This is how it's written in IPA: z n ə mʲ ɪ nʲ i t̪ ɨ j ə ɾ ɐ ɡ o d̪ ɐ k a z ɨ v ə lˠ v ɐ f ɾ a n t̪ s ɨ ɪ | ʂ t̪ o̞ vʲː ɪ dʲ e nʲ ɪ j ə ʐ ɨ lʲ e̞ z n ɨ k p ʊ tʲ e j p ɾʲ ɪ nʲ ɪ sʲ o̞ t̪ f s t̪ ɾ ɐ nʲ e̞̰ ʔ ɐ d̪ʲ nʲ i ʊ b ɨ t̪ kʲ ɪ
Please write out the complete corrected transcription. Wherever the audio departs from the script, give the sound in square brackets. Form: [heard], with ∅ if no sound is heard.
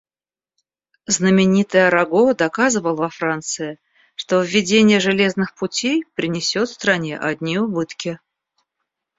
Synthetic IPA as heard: z n ə mʲ ɪ nʲ i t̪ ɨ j ə ɾ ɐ ɡ o d̪ ɐ k a z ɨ v ə lˠ v ɐ f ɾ a n t̪ s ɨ ɪ | ʂ t̪ o̞ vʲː ɪ dʲ e nʲ ɪ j ə ʐ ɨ lʲ e̞ z n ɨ [x] p ʊ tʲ e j p ɾʲ ɪ nʲ ɪ sʲ o̞ t̪ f s t̪ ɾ ɐ nʲ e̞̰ ʔ ɐ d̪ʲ nʲ i ʊ b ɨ t̪ kʲ ɪ